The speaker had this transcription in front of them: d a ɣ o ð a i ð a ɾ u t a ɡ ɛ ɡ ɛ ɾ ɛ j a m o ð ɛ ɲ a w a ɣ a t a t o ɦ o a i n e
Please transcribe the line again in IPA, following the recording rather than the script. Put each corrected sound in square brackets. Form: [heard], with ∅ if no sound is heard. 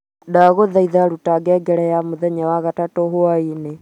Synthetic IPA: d a ɣ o ð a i ð a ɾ u t a ɡ ɛ ɡ ɛ ɾ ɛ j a m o ð ɛ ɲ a w a ɣ a t a t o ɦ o a i n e